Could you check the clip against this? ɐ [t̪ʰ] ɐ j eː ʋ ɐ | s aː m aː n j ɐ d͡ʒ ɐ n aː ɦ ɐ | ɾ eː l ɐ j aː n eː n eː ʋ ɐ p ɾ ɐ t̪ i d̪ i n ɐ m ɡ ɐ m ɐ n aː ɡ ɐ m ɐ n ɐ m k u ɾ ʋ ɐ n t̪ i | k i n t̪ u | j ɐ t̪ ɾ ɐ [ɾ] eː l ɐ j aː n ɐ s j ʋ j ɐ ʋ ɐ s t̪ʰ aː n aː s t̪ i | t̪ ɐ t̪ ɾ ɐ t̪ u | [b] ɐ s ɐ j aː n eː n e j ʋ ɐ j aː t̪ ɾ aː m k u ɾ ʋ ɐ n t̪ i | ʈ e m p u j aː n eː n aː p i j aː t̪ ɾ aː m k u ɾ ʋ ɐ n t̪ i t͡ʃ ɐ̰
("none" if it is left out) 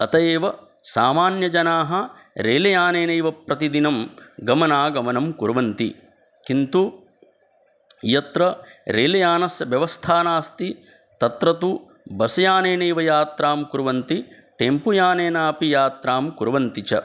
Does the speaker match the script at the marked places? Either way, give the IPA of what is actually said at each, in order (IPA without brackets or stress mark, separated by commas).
t̪, ɾ, b